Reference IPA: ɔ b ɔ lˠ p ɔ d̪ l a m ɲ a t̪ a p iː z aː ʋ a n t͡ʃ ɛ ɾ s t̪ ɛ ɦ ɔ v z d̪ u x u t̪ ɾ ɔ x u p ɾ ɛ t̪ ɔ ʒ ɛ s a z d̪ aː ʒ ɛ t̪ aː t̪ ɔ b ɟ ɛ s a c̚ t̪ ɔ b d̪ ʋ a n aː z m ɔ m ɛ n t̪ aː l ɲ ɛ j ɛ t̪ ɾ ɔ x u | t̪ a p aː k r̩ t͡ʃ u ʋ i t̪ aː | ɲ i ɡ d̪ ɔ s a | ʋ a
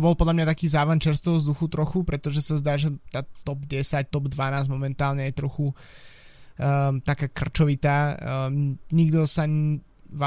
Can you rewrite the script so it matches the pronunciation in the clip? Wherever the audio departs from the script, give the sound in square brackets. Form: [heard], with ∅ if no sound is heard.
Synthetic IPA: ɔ b ɔ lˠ p ɔ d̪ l a m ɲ a t̪ a [k] iː z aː ʋ a n t͡ʃ ɛ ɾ s t̪ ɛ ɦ ɔ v z d̪ u x u t̪ ɾ ɔ x u p ɾ ɛ t̪ ɔ ʒ ɛ s a z d̪ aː ʒ ɛ t̪ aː t̪ ɔ b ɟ ɛ s a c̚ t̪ ɔ b d̪ ʋ a n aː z m ɔ m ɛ n t̪ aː l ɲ ɛ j ɛ t̪ ɾ ɔ x u | t̪ a [k] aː k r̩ t͡ʃ [ɔ] ʋ i t̪ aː | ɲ i ɡ d̪ ɔ s a | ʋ a